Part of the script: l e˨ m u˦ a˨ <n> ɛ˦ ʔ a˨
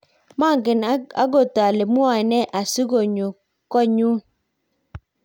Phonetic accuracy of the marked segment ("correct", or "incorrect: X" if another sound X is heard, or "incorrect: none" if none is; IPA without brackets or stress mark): correct